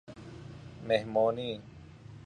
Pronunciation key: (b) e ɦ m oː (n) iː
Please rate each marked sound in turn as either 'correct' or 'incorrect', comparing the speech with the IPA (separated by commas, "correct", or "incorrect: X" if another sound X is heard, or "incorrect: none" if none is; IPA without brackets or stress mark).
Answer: incorrect: m, correct